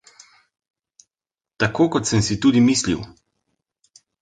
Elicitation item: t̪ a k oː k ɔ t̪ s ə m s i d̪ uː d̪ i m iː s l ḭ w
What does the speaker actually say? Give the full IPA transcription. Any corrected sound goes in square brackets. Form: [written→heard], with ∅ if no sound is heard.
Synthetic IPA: t̪ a k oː k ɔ t̪ s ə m s i [d̪→t̪] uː d̪ i m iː s l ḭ w

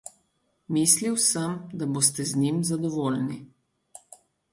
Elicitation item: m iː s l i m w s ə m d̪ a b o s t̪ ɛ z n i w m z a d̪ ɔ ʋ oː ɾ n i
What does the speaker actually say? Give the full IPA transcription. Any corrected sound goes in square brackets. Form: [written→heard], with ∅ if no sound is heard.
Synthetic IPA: m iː s l i [m→∅] w s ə m d̪ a b o s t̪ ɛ z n i [w→∅] m z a d̪ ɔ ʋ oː [ɾ→l] n i

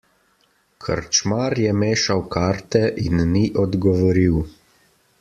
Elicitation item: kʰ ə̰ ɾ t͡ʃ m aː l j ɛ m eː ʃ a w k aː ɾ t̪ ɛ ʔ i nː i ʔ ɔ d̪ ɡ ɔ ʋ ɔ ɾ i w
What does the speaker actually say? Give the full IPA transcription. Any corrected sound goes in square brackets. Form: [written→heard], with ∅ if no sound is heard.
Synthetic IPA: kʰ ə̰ ɾ t͡ʃ m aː [l→ɾ] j ɛ m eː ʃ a w k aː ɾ t̪ ɛ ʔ i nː i ʔ ɔ d̪ ɡ ɔ ʋ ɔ ɾ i w

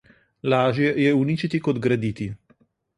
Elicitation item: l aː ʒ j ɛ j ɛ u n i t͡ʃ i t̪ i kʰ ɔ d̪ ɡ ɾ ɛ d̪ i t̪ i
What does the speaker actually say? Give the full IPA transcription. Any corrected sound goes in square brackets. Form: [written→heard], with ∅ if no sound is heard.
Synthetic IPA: l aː ʒ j ɛ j ɛ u n i t͡ʃ i t̪ i [kʰ→k] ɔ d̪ ɡ ɾ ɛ d̪ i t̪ i

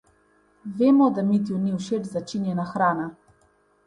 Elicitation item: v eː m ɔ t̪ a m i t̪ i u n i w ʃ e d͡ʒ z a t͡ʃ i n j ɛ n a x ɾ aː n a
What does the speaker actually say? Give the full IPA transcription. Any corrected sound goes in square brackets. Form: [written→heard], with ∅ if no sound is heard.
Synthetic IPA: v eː m ɔ [t̪→d̪] a m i t̪ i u n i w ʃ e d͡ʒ z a t͡ʃ i n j ɛ n a x ɾ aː n a

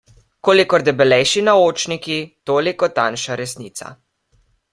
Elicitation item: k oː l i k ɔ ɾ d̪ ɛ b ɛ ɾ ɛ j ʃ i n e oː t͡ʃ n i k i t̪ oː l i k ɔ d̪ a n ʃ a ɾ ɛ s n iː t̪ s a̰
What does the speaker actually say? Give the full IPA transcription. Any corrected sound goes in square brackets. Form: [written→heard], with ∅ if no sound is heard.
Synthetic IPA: k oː l i k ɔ ɾ d̪ ɛ b ɛ [ɾ→l] ɛ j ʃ i n [e→a] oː t͡ʃ n i k i t̪ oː l i k ɔ [d̪→t̪] a n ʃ a ɾ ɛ s n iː t̪ s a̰

